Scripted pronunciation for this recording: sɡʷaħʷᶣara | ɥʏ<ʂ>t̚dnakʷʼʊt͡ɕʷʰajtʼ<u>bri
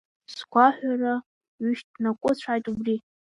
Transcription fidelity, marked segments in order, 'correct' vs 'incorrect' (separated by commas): incorrect, correct